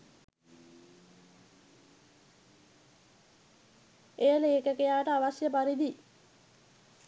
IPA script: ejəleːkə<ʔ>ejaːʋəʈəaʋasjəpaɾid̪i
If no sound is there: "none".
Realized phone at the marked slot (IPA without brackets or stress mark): k